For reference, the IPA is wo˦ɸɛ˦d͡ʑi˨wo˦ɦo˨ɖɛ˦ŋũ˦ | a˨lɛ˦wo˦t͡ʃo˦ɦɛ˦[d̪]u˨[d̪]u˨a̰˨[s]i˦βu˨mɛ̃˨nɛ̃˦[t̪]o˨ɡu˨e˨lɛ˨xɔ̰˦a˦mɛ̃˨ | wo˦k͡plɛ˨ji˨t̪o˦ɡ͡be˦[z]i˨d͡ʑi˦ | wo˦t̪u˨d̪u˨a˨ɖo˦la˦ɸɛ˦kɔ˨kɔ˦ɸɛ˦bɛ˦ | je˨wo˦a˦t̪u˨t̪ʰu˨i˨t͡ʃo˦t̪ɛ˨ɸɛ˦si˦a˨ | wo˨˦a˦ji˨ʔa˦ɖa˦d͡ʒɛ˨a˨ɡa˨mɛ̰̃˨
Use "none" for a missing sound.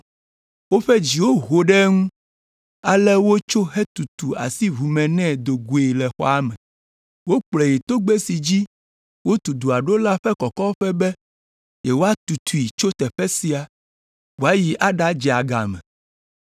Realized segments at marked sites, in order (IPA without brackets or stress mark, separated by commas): t̪, t̪, s, d̪, s